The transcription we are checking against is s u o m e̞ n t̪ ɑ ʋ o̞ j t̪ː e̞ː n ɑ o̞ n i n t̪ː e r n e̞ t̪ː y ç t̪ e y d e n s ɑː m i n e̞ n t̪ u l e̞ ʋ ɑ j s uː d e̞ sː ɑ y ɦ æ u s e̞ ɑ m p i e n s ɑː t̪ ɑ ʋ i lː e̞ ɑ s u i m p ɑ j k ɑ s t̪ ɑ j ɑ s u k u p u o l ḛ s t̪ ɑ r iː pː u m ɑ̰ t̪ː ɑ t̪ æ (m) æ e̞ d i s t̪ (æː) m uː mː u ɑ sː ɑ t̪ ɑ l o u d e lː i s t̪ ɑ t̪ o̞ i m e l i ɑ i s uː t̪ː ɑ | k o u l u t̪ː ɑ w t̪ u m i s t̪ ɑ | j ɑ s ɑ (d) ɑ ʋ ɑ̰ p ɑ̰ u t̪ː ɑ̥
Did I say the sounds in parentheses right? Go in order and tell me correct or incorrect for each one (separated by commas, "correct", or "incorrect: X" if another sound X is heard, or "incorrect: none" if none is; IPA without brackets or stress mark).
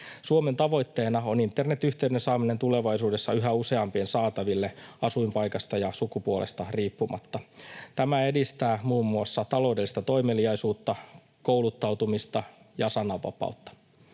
correct, correct, incorrect: n